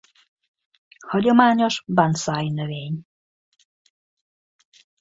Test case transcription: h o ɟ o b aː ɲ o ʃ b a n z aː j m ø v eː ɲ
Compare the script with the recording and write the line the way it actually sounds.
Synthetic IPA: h ɒ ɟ o m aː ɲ o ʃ b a n s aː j n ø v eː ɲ